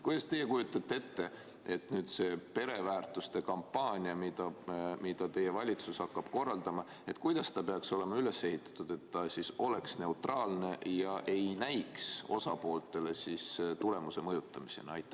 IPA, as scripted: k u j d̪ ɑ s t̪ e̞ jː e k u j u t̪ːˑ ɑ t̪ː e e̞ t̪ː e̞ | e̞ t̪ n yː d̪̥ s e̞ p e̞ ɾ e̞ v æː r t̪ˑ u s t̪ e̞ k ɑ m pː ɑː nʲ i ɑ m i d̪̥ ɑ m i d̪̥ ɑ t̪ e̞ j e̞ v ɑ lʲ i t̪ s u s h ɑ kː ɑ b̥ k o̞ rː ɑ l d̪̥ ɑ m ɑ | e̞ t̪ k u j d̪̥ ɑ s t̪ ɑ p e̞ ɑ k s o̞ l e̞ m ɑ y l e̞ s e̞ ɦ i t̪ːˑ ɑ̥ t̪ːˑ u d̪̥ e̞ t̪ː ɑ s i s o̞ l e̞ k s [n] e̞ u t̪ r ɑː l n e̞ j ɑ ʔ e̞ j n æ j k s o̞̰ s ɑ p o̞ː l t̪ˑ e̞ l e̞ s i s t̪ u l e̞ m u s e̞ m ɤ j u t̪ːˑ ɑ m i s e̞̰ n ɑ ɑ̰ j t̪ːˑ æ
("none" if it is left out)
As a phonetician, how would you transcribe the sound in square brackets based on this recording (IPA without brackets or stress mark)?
n